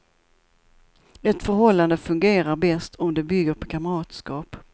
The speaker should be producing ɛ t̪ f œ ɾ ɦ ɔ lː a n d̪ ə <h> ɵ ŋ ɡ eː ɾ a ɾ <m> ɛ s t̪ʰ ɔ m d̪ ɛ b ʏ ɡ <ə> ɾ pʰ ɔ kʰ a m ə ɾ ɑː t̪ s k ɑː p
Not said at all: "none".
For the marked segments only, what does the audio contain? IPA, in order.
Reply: f, b, ə

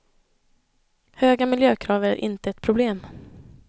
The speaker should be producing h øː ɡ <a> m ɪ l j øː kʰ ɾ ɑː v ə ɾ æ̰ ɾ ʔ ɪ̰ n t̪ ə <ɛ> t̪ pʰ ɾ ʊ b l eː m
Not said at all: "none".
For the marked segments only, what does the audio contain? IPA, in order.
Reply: a, ɛ

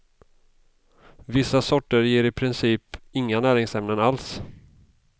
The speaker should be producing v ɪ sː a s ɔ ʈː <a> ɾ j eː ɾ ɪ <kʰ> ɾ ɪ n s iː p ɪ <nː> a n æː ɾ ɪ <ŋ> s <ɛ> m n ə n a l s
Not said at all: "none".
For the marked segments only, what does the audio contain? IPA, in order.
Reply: ə, pʰ, ŋː, ŋ, ɛ

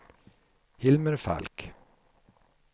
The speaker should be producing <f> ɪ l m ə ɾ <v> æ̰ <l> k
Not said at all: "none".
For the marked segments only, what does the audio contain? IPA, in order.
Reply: h, f, l

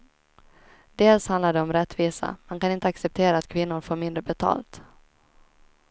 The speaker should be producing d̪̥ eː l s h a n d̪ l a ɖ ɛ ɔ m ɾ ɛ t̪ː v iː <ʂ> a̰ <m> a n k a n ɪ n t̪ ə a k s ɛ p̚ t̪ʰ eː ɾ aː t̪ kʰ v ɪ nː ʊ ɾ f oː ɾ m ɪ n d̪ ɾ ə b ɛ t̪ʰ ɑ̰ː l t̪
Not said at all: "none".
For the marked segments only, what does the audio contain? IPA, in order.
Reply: s, m

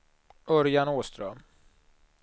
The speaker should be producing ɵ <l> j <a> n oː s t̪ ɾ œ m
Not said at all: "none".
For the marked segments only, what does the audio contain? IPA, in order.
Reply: ɾ, a

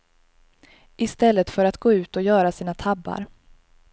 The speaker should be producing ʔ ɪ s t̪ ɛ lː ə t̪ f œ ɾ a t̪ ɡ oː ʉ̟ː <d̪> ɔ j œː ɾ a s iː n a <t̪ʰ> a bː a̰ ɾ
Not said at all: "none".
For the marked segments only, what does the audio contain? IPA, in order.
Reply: t̪, t̪ʰ

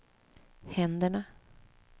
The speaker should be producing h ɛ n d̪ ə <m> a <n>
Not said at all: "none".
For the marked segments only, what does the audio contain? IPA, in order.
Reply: ɳ, none

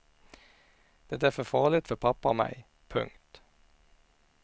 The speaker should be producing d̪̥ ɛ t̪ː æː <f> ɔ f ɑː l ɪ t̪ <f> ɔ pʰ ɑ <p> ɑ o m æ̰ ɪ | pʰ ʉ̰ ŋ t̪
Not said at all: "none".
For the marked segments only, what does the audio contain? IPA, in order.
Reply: f, f, p

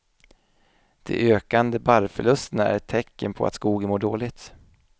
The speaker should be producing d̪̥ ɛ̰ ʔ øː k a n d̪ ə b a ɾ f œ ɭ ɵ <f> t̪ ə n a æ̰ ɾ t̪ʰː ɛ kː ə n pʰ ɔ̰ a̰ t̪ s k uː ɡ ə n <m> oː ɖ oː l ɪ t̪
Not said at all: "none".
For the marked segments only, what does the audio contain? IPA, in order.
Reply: s, m

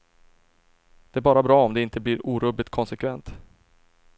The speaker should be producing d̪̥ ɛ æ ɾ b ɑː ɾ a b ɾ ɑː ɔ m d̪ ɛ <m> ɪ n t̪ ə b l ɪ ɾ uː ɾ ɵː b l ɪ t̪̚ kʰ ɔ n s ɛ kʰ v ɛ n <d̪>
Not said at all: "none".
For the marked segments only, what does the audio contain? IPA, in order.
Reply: none, t̪

